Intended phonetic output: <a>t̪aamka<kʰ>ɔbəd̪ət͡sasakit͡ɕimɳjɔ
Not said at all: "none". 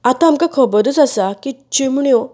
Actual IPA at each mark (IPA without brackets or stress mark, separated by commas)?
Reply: a, kʰ